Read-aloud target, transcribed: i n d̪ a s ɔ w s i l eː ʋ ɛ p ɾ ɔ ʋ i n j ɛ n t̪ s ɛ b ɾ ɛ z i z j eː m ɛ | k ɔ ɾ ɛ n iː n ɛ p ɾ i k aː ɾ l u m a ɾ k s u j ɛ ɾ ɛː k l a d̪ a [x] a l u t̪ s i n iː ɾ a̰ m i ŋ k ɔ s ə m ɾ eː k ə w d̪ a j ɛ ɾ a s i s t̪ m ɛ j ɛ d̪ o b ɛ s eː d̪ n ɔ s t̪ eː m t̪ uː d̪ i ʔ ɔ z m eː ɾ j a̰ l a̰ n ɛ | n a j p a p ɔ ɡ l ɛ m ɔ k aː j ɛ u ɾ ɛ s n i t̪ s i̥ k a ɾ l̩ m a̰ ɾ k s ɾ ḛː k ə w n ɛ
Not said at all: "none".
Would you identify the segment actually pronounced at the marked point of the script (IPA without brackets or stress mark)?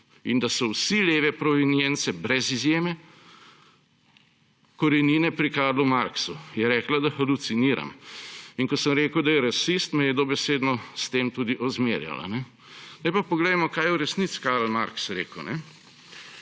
x